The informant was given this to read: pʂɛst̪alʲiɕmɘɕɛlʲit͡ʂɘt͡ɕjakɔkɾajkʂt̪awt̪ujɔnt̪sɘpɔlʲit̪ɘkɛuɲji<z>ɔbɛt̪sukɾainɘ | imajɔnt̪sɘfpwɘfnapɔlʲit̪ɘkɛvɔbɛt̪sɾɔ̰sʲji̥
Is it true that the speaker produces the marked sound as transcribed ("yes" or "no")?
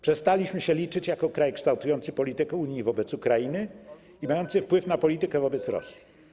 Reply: no